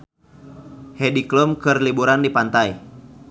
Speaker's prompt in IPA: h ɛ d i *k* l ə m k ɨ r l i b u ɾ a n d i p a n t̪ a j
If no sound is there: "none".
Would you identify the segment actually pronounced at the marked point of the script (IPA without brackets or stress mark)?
k